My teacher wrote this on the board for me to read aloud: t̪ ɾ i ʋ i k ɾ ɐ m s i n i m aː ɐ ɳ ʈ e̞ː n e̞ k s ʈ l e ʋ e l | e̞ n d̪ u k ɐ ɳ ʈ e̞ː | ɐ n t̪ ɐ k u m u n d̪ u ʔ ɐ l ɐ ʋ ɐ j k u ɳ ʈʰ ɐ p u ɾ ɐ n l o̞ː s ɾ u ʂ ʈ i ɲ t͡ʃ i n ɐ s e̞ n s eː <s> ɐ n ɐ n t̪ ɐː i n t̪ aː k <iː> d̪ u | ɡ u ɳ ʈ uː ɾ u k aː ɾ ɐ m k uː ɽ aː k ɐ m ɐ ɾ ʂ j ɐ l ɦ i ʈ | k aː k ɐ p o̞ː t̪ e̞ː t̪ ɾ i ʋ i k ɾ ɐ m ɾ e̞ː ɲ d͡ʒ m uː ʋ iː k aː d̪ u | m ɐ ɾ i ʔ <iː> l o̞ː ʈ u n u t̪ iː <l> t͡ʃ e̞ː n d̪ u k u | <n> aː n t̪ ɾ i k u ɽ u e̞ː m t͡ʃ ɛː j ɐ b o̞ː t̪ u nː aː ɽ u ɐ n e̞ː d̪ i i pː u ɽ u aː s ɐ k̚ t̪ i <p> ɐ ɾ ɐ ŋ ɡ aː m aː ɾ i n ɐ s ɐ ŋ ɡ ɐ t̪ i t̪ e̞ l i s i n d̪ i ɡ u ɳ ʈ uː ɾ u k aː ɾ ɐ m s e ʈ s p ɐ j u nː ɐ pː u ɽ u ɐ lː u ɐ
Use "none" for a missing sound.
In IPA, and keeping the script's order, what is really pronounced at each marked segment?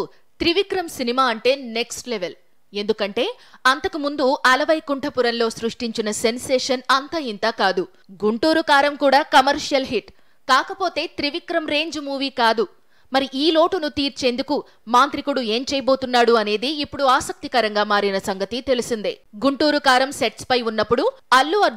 ʂ, aː, iː, ɾ, m, k

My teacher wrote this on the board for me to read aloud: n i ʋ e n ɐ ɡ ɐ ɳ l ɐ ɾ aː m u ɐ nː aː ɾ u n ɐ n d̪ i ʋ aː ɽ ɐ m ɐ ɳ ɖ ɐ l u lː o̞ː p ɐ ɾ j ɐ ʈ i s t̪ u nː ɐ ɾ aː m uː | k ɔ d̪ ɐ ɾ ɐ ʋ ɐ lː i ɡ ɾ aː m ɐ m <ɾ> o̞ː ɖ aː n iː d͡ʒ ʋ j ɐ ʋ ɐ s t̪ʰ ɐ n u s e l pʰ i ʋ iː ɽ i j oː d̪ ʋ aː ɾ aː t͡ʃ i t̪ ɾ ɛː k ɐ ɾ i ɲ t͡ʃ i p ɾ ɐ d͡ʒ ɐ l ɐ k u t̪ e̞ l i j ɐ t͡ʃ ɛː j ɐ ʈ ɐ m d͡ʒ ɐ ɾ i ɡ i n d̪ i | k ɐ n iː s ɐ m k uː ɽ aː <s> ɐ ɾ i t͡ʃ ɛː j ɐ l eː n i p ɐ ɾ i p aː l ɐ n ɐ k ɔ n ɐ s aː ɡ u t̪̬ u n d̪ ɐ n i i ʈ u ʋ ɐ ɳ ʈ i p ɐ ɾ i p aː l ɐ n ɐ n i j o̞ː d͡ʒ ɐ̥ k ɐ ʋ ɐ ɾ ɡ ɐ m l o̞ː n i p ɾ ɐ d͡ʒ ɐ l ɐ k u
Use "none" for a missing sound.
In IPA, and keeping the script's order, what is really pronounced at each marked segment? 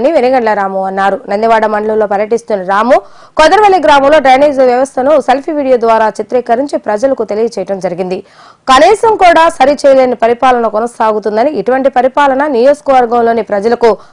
l, s

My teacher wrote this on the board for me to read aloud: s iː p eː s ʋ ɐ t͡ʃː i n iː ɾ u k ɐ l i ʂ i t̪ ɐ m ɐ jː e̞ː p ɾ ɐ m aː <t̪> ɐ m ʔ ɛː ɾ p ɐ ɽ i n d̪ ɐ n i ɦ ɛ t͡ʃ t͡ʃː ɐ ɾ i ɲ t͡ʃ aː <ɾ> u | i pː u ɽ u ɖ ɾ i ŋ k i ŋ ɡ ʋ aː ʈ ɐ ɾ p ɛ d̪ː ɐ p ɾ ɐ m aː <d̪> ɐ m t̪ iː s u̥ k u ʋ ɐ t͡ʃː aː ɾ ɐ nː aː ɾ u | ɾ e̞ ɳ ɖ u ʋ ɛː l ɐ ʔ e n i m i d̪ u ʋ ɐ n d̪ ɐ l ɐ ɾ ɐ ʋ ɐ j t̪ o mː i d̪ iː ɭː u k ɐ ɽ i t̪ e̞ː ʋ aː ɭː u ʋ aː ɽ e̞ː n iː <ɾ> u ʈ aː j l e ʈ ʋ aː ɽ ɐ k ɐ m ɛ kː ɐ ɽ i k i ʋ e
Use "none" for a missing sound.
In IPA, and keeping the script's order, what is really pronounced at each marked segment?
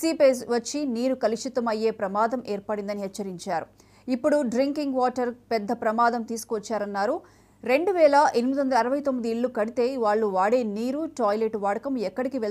d̪, ɾ, d̪, ɾ

